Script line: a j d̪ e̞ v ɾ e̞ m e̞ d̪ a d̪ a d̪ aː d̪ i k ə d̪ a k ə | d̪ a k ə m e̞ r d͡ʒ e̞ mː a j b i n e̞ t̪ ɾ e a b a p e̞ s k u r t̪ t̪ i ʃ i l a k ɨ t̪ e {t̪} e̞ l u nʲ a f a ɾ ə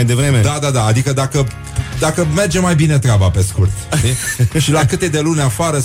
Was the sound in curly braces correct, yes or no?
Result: no